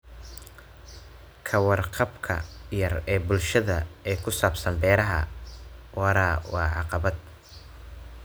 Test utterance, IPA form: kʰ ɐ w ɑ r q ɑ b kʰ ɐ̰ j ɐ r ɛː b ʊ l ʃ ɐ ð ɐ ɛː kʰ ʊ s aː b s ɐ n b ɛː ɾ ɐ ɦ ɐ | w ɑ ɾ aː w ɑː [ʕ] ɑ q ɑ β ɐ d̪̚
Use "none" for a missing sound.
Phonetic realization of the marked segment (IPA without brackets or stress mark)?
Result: ʕ